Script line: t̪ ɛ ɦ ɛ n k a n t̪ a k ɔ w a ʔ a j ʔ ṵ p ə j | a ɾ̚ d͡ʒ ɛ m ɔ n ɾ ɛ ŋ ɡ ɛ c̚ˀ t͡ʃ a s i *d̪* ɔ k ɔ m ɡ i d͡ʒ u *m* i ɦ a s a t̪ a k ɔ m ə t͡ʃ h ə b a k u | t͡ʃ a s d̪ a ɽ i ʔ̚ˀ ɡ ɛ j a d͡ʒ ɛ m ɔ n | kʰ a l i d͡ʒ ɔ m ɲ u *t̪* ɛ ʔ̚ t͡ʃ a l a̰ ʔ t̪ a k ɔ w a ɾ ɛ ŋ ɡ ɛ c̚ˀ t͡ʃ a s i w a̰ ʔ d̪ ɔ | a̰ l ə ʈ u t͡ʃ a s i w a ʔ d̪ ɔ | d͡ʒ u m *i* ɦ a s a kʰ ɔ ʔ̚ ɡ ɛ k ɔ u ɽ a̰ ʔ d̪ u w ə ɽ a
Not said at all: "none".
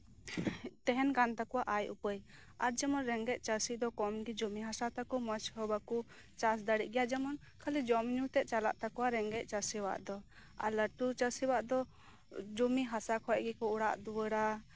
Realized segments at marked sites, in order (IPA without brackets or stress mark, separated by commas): d̪, m, t̪, i